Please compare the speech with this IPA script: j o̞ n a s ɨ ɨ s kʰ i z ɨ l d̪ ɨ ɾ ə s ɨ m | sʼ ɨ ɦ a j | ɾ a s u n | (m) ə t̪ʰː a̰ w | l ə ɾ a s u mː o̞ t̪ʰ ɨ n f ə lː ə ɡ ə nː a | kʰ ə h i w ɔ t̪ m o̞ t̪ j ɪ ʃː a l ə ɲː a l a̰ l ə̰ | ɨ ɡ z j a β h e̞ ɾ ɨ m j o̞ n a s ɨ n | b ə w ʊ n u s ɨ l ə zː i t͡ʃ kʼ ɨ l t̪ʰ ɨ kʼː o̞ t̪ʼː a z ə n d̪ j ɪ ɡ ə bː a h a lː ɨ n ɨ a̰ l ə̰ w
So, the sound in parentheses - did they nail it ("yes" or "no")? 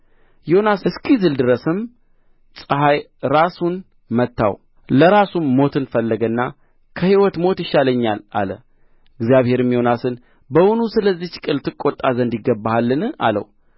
yes